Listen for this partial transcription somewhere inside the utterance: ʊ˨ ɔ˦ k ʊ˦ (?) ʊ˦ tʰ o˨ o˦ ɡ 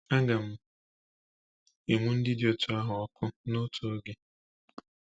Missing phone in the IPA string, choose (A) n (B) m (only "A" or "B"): A